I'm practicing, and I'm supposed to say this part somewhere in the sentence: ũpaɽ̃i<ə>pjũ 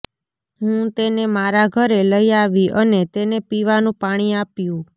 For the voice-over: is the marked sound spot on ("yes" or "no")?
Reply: no